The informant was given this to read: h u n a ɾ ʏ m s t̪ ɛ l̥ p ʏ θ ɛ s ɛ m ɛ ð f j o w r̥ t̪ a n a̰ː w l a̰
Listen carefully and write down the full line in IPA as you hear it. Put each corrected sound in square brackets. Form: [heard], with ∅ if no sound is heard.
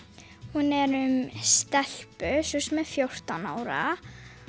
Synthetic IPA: h u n [ɛ] ɾ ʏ m s t̪ ɛ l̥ p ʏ [s] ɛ s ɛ m ɛ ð f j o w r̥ t̪ a n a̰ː w [ɾ] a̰